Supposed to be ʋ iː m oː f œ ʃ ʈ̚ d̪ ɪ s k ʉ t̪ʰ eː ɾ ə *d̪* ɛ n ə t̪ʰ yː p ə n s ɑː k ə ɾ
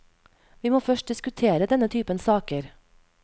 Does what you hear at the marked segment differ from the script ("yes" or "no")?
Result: no